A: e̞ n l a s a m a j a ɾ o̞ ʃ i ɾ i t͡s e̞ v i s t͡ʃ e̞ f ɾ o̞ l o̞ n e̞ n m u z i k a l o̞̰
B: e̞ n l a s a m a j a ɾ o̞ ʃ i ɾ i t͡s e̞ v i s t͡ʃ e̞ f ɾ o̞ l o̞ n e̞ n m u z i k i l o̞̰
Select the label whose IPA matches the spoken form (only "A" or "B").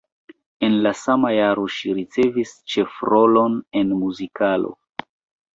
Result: A